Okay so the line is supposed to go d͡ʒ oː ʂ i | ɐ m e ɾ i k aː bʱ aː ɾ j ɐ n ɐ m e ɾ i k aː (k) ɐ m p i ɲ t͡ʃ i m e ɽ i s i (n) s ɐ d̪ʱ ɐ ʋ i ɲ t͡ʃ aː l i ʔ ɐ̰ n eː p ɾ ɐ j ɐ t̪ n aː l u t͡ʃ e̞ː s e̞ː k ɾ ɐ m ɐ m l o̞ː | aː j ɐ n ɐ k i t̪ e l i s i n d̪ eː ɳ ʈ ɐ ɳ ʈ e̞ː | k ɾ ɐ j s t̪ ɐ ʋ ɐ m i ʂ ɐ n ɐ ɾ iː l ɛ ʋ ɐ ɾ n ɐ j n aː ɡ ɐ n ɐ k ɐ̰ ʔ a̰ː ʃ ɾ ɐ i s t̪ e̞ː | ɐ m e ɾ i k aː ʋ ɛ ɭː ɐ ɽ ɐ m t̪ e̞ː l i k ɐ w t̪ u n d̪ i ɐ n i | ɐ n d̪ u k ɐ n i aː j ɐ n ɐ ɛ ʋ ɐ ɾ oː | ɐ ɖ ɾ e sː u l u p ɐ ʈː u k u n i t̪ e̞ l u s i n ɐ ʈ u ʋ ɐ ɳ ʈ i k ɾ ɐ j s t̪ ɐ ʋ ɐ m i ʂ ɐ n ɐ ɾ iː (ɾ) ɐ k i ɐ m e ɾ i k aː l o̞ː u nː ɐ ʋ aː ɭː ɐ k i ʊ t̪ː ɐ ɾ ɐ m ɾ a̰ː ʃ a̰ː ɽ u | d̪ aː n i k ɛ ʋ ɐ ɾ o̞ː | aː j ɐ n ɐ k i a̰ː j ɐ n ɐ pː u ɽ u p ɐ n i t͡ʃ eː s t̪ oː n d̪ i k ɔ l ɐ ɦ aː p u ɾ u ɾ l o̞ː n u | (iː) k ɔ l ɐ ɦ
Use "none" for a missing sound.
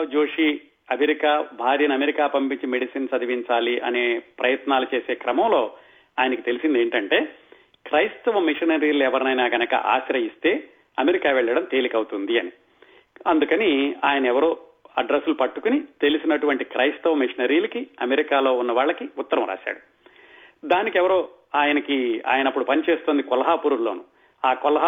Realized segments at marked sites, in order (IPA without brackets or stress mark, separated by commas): p, n, l, aː